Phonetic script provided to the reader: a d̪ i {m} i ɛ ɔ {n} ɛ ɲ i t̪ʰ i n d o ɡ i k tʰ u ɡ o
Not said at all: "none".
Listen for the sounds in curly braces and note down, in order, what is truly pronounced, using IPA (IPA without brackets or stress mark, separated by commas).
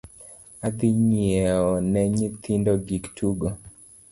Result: ɲ, n